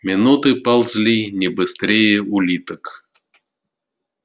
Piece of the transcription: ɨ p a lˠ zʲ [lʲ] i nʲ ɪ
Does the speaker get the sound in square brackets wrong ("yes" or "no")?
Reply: no